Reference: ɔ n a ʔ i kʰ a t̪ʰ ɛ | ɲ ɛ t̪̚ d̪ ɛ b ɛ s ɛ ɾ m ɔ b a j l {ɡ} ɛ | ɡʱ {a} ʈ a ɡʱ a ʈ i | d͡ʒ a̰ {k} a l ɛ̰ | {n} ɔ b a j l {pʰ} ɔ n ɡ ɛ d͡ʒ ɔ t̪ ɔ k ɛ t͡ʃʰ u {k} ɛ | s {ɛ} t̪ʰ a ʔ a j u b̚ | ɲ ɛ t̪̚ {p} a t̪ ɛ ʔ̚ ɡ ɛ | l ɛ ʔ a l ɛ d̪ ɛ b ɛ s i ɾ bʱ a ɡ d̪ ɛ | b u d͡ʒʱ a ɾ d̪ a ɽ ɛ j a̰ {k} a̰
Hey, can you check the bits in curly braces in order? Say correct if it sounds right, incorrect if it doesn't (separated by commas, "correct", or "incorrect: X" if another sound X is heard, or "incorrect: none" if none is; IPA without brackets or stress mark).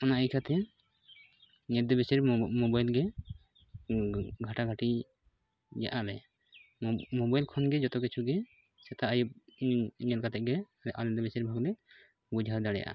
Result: correct, correct, incorrect: ʔ, incorrect: m, incorrect: kʰ, incorrect: ɡ, correct, incorrect: k, incorrect: ʔ